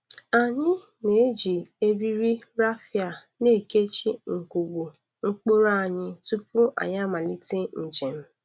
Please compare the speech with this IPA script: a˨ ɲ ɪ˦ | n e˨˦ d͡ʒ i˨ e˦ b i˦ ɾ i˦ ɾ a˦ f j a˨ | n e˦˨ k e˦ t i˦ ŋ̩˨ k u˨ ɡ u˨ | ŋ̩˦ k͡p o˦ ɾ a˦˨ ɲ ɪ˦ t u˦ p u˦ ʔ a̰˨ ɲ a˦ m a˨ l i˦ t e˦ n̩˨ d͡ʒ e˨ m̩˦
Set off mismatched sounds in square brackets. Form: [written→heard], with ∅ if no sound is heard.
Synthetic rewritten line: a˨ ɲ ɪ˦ | n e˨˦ d͡ʒ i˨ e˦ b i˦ ɾ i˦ ɾ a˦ f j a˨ | n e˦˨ k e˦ [t→t͡ʃ] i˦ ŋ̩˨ k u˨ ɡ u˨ | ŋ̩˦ k͡p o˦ ɾ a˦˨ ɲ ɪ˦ t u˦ p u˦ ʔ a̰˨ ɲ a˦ m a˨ l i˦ t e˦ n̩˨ d͡ʒ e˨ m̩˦